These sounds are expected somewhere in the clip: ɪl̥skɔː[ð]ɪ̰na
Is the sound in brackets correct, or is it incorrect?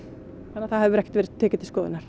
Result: correct